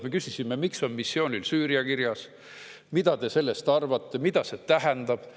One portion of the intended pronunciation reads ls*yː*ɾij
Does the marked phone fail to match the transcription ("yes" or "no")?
no